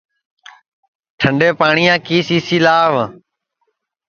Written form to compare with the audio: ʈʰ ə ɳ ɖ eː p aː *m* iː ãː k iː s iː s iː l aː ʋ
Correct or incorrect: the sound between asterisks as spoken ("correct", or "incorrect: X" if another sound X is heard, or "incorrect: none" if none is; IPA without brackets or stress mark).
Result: incorrect: ɳ